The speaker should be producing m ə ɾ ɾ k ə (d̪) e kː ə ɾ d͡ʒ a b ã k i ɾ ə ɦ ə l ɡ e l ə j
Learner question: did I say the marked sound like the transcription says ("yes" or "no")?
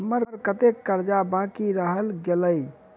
no